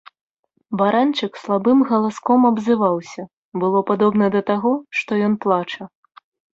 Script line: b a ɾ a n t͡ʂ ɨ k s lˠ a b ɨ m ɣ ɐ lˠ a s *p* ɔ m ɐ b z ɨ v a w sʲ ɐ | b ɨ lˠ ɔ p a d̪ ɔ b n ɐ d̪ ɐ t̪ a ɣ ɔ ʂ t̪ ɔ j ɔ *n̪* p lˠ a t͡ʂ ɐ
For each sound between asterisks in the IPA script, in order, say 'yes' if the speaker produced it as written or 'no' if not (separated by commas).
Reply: no, yes